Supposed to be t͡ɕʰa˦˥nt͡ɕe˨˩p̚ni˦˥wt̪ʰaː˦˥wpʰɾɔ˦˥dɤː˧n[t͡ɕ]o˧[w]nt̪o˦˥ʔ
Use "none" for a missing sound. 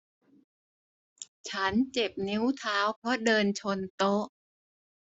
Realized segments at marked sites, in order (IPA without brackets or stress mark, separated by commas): t͡ɕʰ, none